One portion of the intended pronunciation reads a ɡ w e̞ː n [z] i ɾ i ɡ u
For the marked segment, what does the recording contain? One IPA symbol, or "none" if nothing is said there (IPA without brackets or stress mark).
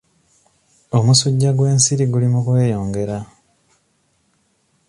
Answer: s